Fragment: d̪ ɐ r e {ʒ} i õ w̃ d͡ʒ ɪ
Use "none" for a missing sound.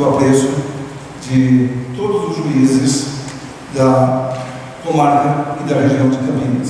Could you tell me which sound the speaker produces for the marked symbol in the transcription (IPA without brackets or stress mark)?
ʒ